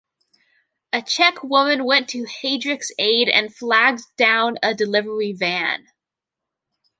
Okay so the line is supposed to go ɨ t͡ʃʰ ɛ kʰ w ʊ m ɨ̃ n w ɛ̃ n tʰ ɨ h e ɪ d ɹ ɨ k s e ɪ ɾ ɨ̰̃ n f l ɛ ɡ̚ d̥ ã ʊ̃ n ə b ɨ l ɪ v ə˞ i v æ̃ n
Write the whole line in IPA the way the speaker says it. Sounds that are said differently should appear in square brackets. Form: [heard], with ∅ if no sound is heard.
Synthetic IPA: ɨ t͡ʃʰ ɛ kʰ w ʊ m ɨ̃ n w ɛ̃ n tʰ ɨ h e ɪ d ɹ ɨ k s e ɪ ɾ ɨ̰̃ n f l [æ] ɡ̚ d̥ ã ʊ̃ n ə [d] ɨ l ɪ v ə˞ i v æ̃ n